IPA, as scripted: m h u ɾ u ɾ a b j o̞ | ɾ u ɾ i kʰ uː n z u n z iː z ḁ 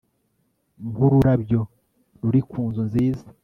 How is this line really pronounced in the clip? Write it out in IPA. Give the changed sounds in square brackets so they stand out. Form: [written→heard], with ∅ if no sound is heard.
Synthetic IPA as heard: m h u ɾ u ɾ a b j o̞ | ɾ u ɾ i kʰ uː n z u n z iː z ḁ